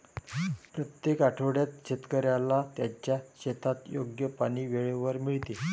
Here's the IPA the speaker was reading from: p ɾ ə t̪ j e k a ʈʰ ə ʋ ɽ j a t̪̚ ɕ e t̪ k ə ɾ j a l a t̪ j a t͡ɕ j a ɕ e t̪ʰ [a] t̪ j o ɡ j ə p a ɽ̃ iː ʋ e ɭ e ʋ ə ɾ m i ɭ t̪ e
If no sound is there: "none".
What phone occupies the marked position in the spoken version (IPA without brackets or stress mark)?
a